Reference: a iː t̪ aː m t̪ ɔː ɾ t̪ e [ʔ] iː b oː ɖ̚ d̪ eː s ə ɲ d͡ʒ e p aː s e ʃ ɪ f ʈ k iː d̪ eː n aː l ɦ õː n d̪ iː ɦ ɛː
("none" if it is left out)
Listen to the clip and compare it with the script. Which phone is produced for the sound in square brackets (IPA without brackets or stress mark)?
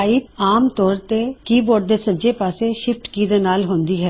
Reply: k